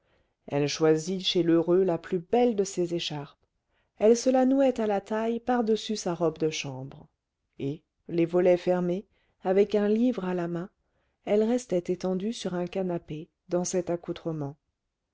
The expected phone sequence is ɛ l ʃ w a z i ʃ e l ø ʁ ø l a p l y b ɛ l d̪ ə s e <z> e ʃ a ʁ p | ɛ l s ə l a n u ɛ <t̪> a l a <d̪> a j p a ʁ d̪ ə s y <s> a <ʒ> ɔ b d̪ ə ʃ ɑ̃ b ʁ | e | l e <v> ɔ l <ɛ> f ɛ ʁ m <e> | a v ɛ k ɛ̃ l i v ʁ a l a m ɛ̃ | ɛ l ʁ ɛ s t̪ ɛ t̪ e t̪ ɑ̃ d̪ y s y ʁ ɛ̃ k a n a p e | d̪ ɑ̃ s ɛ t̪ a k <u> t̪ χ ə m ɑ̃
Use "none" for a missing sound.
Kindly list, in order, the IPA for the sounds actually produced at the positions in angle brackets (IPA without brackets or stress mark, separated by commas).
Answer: z, t̪, t̪, s, ʁ, v, ɛ, e, u